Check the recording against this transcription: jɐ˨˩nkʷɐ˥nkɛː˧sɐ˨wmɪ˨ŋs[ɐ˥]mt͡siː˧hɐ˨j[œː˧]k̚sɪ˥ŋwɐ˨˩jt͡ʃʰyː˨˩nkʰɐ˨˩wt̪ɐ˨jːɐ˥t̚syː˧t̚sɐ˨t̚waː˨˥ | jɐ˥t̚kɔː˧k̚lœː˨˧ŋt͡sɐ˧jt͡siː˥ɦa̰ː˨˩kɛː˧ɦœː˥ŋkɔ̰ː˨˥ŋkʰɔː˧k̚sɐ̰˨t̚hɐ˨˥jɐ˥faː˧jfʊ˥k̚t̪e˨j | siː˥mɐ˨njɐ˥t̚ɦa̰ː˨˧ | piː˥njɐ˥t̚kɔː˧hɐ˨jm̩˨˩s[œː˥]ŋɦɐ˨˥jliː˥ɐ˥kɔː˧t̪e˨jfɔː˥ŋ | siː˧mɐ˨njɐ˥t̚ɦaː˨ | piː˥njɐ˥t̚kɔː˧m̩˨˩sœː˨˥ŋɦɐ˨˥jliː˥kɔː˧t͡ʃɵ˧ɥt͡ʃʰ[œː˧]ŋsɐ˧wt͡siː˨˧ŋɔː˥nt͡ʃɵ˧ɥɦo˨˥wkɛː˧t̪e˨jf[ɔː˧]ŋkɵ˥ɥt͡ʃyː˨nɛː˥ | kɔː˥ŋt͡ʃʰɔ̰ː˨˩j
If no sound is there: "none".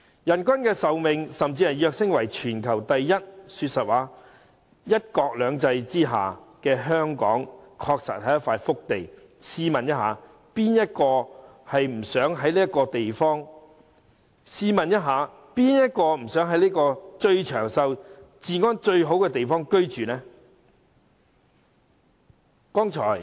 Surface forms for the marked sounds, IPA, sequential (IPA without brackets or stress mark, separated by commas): ɐ˨, œː˧, œː˨˥, œː˨˩, ɔː˥